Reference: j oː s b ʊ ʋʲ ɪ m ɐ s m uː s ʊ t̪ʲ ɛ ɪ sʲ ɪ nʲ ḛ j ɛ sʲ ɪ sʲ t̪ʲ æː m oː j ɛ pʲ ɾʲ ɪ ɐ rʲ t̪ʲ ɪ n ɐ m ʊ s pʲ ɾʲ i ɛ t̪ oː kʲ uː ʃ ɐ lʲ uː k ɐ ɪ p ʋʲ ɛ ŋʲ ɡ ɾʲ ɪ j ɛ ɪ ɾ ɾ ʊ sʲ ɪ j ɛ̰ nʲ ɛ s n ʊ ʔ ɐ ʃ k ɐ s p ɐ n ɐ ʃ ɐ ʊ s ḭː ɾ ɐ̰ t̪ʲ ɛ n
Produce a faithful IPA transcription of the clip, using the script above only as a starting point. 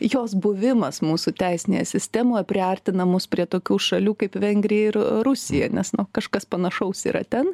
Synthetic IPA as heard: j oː s b ʊ ʋʲ ɪ m ɐ s m uː s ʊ t̪ʲ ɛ ɪ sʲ ɪ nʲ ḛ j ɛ sʲ ɪ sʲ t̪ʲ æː m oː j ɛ pʲ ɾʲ ɪ ɐ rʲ t̪ʲ ɪ n ɐ m ʊ s pʲ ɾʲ i ɛ t̪ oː kʲ uː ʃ ɐ lʲ uː k ɐ ɪ p ʋʲ ɛ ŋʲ ɡ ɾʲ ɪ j ɛ ɪ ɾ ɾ ʊ sʲ ɪ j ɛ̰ nʲ ɛ s n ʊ k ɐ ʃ k ɐ s p ɐ n ɐ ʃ ɐ ʊ s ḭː ɾ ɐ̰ t̪ʲ ɛ n